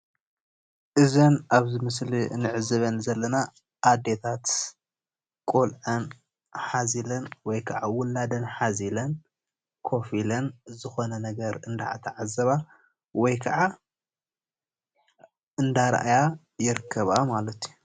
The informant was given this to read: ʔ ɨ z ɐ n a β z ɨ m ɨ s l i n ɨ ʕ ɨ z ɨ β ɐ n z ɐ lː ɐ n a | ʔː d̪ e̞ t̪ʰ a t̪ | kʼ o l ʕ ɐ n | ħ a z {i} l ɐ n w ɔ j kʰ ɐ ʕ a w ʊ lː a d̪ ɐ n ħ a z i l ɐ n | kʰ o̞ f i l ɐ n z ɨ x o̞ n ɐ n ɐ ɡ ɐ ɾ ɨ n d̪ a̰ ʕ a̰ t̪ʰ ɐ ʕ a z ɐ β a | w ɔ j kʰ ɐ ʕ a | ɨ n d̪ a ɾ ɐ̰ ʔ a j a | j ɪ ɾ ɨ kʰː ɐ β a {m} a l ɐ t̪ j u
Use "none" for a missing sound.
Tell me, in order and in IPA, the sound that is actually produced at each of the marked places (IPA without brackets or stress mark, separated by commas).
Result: i, m